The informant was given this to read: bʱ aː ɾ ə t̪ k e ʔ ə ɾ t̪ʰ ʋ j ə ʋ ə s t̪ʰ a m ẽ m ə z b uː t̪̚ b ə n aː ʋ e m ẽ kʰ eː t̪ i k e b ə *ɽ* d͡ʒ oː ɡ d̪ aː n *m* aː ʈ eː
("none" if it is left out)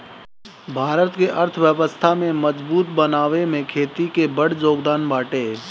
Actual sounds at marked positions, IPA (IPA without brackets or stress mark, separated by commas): ɽ, b